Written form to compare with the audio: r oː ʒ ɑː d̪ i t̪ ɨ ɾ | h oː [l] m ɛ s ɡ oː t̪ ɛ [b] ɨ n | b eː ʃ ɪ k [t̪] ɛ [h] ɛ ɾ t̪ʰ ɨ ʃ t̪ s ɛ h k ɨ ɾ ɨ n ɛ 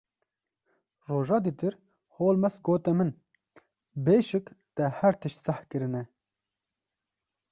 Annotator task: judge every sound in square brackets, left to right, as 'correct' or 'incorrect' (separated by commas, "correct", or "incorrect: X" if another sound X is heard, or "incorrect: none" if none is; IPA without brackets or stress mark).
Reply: correct, incorrect: m, correct, correct